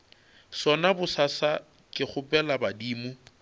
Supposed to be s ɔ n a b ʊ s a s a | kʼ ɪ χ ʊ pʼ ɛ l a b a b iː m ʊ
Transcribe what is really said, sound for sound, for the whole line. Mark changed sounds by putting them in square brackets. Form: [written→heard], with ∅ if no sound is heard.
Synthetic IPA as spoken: s ɔ n a b ʊ s a s a | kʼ ɪ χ ʊ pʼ ɛ l a b a [b→d] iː m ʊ